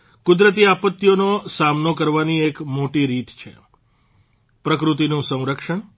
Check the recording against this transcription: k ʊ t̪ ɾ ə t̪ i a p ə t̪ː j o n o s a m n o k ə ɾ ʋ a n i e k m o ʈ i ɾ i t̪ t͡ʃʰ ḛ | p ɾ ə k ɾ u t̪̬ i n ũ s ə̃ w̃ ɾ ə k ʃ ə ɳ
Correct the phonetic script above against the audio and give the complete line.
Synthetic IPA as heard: k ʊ d̪ ɾ ə t̪ i a p ə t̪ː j o n o s a m n o k ə ɾ ʋ a n i e k m o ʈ i ɾ i t̪ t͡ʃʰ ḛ | p ɾ ə k ɾ u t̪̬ i n ũ s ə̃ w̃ ɾ ə k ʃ ə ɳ